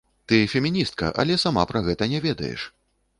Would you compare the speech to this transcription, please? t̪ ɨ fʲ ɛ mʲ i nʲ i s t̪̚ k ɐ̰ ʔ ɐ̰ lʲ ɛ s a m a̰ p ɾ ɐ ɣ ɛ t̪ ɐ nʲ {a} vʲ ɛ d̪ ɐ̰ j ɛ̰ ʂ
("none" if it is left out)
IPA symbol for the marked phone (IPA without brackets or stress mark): ɛ